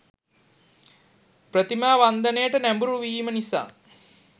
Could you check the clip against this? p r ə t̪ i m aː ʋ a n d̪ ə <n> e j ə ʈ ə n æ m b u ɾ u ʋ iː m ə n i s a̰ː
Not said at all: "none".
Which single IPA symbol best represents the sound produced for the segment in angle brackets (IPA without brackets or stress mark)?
n